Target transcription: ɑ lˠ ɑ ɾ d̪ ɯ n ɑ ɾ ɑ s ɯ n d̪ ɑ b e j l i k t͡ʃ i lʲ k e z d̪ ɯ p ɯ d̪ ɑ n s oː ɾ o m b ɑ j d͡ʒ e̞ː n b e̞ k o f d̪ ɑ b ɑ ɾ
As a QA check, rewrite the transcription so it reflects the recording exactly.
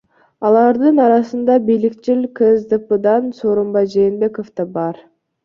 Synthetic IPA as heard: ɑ lˠ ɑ ɾ d̪ ɯ n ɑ ɾ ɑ s ɯ n d̪ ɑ b i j l i k t͡ʃ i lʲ k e z d̪ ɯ p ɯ d̪ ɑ n s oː ɾ o m b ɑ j d͡ʒ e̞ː n b e̞ k o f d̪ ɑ b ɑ ɾ